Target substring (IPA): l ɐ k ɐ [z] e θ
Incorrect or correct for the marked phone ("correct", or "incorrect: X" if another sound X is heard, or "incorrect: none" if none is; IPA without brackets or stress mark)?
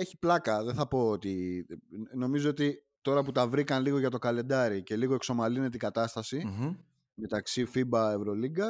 incorrect: ð